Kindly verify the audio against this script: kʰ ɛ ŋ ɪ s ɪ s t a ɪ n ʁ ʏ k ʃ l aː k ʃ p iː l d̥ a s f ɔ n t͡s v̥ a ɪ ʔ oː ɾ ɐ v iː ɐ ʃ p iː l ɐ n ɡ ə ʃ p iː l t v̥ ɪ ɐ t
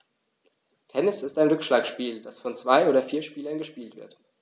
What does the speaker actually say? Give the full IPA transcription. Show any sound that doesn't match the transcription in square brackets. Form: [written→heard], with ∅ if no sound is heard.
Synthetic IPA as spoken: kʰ ɛ [ŋ→n] ɪ s ɪ s t a ɪ n ʁ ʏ k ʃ l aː k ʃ p iː l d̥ a s f ɔ n t͡s v̥ a ɪ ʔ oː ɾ ɐ [v→f] iː ɐ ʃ p iː l ɐ n ɡ ə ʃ p iː l t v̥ ɪ ɐ t

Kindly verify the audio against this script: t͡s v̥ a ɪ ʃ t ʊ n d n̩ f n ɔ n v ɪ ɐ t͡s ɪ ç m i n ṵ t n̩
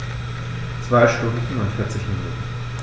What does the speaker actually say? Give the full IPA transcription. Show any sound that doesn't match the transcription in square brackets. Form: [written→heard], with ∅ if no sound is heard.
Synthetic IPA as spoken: t͡s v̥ a ɪ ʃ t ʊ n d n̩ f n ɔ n [v→f] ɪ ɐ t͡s ɪ ç m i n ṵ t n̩

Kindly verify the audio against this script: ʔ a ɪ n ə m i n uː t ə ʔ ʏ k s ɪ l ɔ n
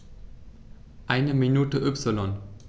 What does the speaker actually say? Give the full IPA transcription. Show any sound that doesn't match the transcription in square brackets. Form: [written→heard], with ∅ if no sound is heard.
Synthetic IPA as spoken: ʔ a ɪ n ə m i n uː t ə ʔ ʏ [k→p] s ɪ l ɔ n

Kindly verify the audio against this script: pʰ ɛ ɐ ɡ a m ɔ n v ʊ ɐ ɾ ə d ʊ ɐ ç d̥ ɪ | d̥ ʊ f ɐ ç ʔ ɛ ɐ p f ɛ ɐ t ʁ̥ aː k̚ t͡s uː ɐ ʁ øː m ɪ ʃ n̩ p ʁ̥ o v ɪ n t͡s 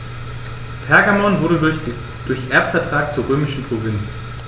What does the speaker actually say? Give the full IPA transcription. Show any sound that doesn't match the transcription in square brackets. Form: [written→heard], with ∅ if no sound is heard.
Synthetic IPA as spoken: pʰ ɛ ɐ ɡ a m ɔ n v ʊ ɐ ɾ ə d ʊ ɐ ç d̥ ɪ | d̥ ʊ [f→∅] ɐ ç ʔ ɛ ɐ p f ɛ ɐ t ʁ̥ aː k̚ t͡s uː ɐ ʁ øː m ɪ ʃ n̩ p ʁ̥ o v ɪ n t͡s

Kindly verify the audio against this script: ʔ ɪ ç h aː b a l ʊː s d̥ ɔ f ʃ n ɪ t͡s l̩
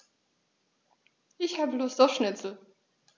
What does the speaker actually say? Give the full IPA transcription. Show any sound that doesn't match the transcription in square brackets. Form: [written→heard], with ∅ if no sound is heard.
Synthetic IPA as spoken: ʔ ɪ ç h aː b [a→ə] l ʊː s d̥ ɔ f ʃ n ɪ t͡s l̩

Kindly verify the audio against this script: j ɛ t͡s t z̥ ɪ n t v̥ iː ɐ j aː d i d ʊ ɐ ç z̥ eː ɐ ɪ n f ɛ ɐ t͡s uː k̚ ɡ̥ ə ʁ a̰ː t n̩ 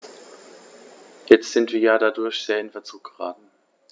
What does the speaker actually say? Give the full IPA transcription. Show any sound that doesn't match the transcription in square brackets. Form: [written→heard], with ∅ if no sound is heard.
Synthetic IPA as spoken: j ɛ t͡s t z̥ ɪ n t v̥ iː ɐ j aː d [i→a] d ʊ ɐ ç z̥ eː ɐ ɪ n f ɛ ɐ t͡s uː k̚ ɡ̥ ə ʁ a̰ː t n̩

